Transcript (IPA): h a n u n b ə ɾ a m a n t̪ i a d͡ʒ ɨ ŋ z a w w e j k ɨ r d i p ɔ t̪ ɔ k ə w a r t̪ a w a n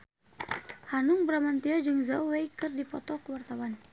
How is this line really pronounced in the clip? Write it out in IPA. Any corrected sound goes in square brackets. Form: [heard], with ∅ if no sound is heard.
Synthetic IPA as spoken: h a n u [ŋ] b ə ɾ a m a n t̪ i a d͡ʒ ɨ ŋ z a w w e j k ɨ r d i p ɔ t̪ ɔ k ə w a r t̪ a w a n

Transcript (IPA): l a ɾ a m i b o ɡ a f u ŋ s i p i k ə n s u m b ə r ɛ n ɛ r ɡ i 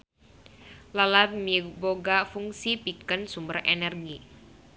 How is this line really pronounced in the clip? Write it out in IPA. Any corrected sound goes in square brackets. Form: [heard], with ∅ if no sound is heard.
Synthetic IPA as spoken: l a [l] a m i b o ɡ a f u ŋ s i p i k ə n s u m b ə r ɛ n ɛ r ɡ i

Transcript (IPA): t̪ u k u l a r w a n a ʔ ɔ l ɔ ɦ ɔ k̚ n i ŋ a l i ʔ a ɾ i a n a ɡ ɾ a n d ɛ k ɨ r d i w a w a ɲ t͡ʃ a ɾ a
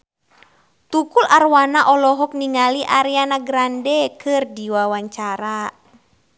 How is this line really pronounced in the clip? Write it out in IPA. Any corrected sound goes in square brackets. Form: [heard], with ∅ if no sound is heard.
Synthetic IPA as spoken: t̪ u k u l a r w a n a ʔ ɔ l ɔ ɦ ɔ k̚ n i ŋ a l i ʔ a ɾ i a n a ɡ ɾ a n d ɛ k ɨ r d i w a w a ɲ t͡ʃ a ɾ a

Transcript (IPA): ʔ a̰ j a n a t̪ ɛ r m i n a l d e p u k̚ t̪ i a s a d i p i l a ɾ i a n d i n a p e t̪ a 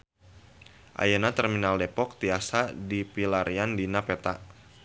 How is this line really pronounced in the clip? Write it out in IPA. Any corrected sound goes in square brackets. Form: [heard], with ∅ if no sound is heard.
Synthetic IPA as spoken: ʔ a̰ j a n a t̪ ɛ r m i n a l d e p [ɔ] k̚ t̪ i a s a d i p i l a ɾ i a n d i n a p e t̪ a

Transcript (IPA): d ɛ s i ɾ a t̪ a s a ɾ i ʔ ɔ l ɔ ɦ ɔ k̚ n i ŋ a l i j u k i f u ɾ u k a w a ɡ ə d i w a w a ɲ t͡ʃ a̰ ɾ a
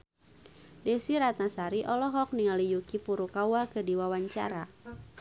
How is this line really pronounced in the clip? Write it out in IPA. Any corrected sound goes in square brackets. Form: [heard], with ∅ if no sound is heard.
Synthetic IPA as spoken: d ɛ s i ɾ a t̪ a s a ɾ i ʔ ɔ l ɔ ɦ ɔ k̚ n i ŋ a l i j u k i f u ɾ u k a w a [k] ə d i w a w a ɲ t͡ʃ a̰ ɾ a

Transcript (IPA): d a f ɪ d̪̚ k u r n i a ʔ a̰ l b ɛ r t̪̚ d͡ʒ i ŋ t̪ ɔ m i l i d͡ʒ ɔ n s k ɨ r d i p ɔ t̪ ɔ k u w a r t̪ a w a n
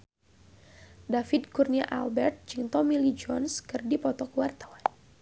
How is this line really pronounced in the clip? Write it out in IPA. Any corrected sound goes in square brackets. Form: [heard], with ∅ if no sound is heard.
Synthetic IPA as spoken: d a f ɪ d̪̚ k u r n i a ʔ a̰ l b ɛ r t̪̚ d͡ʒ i ŋ t̪ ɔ m i l i d͡ʒ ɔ n s k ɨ r d i p ɔ t̪ ɔ k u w a r t̪ a w a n

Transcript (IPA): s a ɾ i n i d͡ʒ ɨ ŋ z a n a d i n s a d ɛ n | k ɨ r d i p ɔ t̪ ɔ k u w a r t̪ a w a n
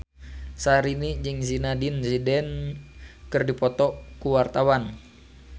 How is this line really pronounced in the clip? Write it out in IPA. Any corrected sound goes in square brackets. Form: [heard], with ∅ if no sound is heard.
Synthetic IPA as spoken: s a ɾ i n i d͡ʒ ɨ ŋ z [i] n a d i n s [i] d ɛ n | k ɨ r d i p ɔ t̪ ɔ k u w a r t̪ a w a n

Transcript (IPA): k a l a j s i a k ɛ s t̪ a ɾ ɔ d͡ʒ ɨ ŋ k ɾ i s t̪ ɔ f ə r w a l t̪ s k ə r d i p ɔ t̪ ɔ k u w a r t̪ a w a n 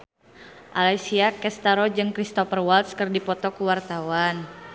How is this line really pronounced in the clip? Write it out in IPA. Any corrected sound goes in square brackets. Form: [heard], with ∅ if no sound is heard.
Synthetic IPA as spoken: [ʔ] a l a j s i a k ɛ s t̪ a ɾ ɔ d͡ʒ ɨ ŋ k ɾ i s t̪ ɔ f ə r w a l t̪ s k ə r d i p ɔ t̪ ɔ k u w a r t̪ a w a n

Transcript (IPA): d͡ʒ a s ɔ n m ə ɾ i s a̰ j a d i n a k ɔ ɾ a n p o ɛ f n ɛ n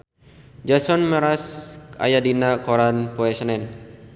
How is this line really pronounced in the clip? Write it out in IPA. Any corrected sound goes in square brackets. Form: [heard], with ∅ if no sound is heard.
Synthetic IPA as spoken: d͡ʒ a s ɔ n m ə ɾ [a] s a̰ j a d i n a k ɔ ɾ a n p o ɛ [s] n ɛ n

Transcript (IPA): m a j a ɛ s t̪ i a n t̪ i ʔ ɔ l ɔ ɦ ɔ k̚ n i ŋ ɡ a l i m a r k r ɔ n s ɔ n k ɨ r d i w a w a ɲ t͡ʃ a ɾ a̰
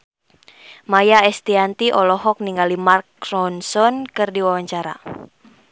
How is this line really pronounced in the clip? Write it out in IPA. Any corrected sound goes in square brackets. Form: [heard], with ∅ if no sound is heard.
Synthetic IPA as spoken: m a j a ɛ s t̪ i a n t̪ i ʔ ɔ l ɔ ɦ ɔ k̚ n i ŋ ɡ a l i m a r k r ɔ n s ɔ n k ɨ r d i w a w a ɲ t͡ʃ a ɾ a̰

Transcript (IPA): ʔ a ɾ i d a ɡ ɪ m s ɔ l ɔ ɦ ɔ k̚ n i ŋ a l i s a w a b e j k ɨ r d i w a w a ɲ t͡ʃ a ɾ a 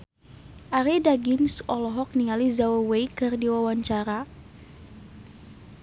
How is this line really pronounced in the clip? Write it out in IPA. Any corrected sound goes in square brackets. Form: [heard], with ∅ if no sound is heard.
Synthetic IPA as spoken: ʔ a ɾ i d a ɡ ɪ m s ɔ l ɔ ɦ ɔ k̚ n i ŋ a l i [z] a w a [w] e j k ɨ r d i w a w a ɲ t͡ʃ a ɾ a

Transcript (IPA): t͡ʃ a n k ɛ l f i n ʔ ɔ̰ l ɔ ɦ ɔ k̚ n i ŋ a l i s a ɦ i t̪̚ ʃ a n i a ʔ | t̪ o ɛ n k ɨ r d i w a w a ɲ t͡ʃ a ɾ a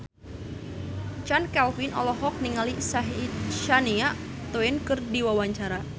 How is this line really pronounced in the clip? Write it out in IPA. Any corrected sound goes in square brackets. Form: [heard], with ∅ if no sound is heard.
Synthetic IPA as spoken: t͡ʃ a n k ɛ l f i n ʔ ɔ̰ l ɔ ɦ ɔ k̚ n i ŋ a l i s a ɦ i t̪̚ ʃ a n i a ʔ | t̪ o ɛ n k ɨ r d i w a w a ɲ t͡ʃ a ɾ a

